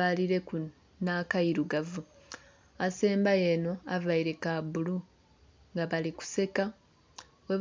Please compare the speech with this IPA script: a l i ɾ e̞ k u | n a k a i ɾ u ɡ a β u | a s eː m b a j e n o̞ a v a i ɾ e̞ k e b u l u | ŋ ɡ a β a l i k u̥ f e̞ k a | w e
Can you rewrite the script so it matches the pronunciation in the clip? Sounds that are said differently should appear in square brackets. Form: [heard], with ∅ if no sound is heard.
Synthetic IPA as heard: a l i ɾ e̞ k u | n a k a i ɾ u ɡ a [v] u | a s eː m b a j e n o̞ a v a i ɾ e̞ k [a] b u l u | ŋ ɡ a β a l i k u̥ [s] e̞ k a | w e

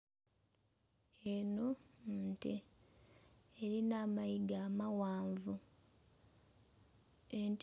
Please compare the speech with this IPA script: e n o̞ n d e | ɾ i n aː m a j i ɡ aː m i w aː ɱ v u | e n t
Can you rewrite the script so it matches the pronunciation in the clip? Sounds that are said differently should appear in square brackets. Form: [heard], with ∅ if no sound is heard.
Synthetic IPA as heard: e n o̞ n [t] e | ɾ i n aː m a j i ɡ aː m [a] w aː ɱ v u | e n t

